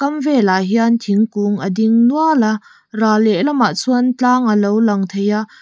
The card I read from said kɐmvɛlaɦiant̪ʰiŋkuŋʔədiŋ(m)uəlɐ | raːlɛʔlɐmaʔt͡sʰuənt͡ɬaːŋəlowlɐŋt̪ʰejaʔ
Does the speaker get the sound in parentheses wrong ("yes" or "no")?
yes